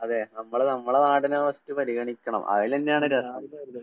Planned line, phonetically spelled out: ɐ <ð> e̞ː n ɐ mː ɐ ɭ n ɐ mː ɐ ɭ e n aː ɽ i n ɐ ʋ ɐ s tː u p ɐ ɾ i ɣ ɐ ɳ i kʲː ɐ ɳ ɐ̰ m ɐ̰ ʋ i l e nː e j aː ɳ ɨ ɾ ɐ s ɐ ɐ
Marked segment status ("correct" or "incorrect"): correct